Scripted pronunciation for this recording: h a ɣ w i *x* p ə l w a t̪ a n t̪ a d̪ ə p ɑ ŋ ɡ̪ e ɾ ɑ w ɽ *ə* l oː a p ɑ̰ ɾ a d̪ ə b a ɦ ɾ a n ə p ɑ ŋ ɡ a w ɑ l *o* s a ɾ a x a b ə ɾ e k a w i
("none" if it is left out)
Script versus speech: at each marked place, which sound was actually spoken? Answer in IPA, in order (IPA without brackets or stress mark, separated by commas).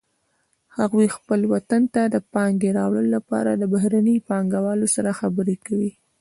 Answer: x, ə, o